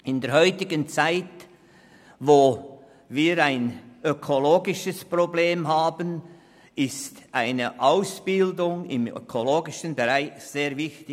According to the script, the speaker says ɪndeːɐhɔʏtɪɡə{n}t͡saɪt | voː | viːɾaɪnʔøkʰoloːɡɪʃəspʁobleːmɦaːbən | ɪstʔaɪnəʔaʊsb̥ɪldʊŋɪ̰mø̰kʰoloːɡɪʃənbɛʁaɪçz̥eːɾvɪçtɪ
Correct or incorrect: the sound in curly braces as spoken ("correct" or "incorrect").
correct